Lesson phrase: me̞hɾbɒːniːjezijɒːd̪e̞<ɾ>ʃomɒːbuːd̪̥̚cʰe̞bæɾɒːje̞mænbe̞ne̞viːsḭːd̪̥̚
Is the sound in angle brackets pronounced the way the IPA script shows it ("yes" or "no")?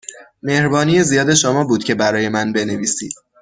no